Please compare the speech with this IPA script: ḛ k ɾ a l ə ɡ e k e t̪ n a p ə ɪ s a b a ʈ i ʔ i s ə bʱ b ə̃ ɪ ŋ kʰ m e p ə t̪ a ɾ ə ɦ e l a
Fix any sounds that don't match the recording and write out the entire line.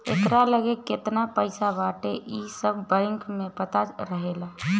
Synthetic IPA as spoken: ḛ k ɾ a l ə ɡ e k e t̪ n a p ə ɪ s a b a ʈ e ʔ i s ə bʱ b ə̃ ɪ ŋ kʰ m e p ə t̪ a ɾ ə ɦ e l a